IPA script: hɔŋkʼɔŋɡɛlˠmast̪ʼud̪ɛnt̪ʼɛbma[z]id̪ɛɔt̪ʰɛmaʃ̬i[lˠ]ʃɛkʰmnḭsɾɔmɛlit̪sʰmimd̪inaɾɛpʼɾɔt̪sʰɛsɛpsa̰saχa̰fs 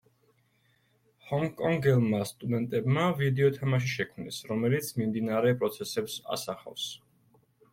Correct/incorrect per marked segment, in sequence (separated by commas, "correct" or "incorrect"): incorrect, incorrect